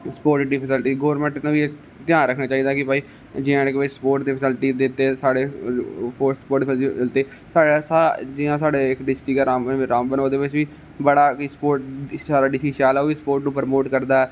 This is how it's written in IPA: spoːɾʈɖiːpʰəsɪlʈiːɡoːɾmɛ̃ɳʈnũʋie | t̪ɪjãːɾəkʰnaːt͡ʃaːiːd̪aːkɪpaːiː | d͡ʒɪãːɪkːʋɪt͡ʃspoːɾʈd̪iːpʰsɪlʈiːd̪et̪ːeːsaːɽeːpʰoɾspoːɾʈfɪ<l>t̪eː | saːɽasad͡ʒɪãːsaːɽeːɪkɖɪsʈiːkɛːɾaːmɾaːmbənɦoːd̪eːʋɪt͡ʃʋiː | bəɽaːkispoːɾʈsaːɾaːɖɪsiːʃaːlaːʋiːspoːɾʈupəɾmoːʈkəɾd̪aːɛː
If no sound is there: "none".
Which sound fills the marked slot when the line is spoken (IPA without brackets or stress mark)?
l